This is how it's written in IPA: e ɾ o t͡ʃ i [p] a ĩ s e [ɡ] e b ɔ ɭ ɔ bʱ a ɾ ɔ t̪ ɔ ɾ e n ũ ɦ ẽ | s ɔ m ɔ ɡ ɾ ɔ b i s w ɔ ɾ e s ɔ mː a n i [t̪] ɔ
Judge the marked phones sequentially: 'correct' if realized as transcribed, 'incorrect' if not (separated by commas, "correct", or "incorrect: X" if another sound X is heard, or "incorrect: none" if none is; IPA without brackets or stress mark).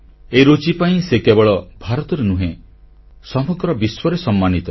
correct, incorrect: k, correct